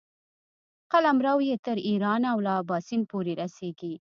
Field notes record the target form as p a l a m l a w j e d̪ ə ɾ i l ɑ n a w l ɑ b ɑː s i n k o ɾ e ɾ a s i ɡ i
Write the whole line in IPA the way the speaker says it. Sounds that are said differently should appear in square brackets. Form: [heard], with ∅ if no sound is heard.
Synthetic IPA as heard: [q] a l a m [ɾ] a w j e [t̪] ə ɾ i [ɾ] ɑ n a w l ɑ b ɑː s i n [p] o ɾ e ɾ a s [e] ɡ i